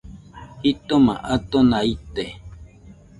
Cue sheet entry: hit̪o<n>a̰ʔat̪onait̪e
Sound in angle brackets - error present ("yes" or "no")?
yes